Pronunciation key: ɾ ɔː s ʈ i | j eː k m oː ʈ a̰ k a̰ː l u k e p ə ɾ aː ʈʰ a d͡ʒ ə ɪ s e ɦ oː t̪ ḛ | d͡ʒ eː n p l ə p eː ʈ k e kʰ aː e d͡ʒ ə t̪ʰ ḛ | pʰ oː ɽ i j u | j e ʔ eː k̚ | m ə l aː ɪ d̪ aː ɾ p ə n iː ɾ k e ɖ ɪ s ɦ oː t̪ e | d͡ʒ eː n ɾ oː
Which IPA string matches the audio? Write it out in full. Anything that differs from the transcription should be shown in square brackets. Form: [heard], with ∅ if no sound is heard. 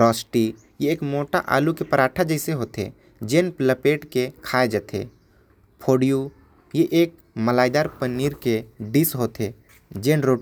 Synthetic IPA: ɾ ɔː s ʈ i | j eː k m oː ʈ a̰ [ʔ] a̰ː l u k e p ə ɾ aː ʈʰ a d͡ʒ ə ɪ s e ɦ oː t̪ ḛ | d͡ʒ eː n p l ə p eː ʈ k e kʰ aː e d͡ʒ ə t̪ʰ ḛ | pʰ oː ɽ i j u | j e ʔ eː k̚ | m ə l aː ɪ d̪ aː ɾ p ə n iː ɾ k e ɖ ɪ s ɦ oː t̪ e | d͡ʒ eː n ɾ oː